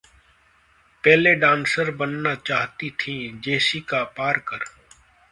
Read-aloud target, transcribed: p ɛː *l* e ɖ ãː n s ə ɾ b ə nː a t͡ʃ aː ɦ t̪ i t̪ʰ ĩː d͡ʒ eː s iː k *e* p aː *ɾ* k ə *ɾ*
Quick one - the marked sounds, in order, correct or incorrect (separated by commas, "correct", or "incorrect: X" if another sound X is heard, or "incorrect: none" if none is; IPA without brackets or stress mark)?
correct, incorrect: a, correct, correct